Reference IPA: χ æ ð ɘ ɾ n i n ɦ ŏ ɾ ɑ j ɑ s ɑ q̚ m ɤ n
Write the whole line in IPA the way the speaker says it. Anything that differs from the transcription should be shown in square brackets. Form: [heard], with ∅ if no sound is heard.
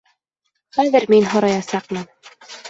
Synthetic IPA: χ æ ð ɘ ɾ [m] i n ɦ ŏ ɾ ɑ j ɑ s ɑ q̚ m ɤ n